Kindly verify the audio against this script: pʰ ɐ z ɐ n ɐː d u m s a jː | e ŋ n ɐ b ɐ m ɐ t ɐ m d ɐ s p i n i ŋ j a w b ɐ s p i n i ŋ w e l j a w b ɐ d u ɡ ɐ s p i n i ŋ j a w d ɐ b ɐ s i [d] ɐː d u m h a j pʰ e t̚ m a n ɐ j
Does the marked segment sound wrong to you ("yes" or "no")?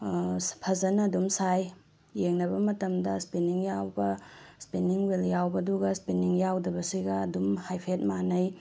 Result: yes